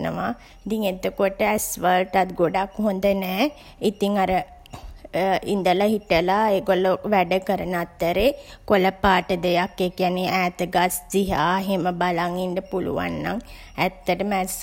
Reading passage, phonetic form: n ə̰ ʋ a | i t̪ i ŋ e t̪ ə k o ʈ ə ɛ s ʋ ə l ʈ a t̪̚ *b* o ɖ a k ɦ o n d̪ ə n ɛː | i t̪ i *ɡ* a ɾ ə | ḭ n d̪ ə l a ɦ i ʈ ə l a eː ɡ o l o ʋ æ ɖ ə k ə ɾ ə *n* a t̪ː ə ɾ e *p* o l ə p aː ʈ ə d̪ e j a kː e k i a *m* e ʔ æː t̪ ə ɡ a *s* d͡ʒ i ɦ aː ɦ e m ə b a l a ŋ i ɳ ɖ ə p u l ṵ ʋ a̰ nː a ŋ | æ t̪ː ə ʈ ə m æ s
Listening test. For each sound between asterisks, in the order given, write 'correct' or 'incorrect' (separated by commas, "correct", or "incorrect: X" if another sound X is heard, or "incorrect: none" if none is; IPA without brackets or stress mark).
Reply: incorrect: ɡ, incorrect: ŋ, correct, incorrect: k, incorrect: n, correct